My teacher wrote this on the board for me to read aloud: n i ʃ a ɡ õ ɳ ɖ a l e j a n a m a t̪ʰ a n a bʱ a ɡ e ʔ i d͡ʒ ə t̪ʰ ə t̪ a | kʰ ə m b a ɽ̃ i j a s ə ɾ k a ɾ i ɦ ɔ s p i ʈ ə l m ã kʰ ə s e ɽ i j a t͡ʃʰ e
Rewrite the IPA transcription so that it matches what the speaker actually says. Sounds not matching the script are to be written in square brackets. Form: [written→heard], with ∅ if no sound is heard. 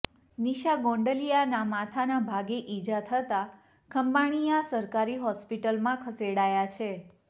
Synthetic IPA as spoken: n i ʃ a ɡ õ ɳ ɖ [a→ə] l [e→i] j a n a m a t̪ʰ a n a bʱ a ɡ e ʔ i d͡ʒ [ə→a] t̪ʰ ə t̪ a | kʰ ə m b a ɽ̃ i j a s ə ɾ k a ɾ i ɦ ɔ s p i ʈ ə l m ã kʰ ə s e ɽ [i→a] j a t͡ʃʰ e